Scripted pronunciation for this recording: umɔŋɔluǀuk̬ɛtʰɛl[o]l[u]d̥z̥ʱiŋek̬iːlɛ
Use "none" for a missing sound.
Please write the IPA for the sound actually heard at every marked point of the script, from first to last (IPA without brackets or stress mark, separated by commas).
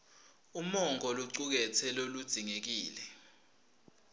o, u